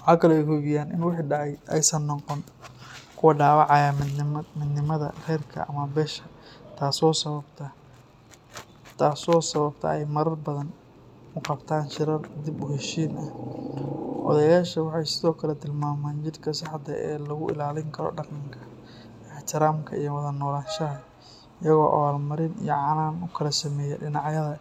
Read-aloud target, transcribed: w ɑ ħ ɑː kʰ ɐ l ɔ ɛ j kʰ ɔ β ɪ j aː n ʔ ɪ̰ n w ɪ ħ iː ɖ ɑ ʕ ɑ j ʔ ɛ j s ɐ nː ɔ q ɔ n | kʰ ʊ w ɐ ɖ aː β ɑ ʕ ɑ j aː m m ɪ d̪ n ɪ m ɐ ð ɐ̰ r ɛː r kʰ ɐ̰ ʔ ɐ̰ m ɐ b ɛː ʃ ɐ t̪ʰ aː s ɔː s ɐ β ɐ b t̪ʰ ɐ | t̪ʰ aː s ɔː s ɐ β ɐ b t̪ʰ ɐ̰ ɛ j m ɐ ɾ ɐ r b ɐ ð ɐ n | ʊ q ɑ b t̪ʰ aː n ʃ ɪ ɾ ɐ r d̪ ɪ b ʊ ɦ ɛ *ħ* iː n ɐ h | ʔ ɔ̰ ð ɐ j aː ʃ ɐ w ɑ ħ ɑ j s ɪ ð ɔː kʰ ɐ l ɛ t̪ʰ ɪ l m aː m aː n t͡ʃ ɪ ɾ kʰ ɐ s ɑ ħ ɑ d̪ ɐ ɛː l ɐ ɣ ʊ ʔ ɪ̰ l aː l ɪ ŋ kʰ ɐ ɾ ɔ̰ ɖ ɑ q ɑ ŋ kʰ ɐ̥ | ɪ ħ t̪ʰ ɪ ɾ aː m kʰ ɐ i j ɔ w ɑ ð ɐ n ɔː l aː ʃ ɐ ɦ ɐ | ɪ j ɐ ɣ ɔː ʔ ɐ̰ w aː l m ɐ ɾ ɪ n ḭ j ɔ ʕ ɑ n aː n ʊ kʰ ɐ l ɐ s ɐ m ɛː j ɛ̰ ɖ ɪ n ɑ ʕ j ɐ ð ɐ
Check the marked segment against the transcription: incorrect: ʃ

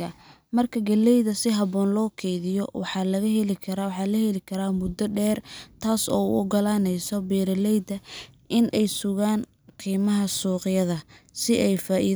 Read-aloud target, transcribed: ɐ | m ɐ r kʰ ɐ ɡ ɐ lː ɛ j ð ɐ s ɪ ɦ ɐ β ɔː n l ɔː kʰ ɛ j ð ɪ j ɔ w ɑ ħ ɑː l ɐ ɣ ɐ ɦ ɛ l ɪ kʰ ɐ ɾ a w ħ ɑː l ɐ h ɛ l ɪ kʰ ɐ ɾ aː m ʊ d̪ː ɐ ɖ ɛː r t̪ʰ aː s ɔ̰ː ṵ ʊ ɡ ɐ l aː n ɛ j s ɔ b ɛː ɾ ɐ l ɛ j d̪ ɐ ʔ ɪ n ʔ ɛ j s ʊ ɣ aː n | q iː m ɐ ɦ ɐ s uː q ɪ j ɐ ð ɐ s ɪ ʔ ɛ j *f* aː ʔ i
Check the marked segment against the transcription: correct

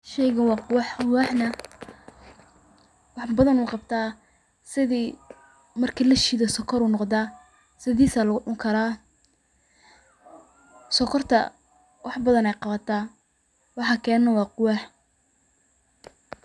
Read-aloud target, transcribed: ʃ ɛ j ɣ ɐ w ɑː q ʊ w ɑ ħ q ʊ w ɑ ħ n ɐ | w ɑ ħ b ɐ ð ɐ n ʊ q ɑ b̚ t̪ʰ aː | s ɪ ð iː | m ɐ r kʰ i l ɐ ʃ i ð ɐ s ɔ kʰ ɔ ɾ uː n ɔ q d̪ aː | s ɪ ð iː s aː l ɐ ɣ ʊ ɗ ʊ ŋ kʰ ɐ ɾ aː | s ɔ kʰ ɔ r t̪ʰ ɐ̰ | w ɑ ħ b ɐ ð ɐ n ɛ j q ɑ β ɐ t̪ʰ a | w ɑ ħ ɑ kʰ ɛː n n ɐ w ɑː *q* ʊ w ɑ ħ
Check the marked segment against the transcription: correct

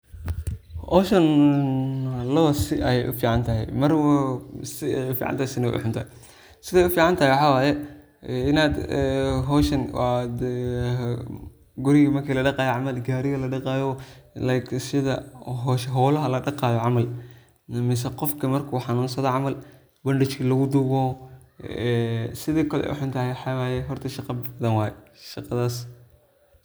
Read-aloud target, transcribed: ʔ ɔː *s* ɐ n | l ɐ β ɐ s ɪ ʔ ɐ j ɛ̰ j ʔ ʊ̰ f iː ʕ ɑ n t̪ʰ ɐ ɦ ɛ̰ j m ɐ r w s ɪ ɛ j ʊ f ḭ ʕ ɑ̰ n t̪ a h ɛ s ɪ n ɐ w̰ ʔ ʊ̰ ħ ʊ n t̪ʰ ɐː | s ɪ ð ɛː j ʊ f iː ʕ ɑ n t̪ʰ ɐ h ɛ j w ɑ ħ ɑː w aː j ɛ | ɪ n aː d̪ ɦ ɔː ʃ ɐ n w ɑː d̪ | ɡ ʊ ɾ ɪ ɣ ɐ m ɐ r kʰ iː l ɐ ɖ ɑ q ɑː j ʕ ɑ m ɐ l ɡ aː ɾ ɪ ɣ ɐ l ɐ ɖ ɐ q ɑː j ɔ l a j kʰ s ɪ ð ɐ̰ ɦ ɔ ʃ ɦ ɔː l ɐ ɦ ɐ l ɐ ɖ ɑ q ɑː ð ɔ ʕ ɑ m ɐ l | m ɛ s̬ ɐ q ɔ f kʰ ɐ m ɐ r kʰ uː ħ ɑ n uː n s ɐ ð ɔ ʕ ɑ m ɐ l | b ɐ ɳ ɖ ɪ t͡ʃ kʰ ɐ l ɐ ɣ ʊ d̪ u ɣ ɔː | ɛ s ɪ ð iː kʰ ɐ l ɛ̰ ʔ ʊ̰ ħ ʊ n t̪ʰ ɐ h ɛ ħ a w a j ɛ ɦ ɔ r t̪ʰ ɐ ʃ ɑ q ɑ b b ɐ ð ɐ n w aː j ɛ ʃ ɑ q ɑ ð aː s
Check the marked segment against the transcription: incorrect: ʃ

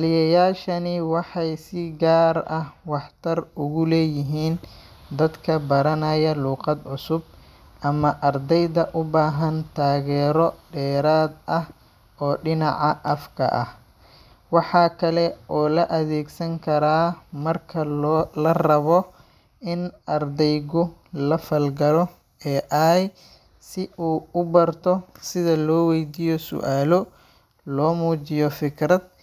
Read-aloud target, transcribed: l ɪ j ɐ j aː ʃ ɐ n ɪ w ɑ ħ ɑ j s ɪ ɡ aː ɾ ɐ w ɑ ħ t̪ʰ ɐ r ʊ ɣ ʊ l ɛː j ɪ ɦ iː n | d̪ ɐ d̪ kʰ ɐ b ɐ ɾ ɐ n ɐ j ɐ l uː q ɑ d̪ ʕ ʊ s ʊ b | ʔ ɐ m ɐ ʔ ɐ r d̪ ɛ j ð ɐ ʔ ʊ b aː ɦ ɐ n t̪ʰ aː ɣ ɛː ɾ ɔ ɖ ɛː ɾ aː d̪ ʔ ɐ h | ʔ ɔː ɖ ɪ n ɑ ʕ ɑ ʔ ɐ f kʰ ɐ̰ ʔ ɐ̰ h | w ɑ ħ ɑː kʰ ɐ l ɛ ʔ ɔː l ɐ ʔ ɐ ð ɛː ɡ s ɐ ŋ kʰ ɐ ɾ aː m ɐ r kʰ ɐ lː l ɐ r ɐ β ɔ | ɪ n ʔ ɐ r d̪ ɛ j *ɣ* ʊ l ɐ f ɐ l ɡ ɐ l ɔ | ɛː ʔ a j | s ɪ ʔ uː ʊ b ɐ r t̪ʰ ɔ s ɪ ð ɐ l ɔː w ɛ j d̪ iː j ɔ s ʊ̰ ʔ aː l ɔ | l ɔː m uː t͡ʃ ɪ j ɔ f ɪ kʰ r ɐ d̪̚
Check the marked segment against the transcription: correct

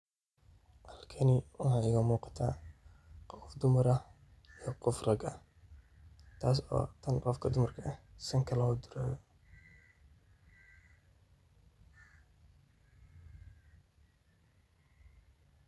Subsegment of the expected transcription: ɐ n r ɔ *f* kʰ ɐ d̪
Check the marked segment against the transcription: correct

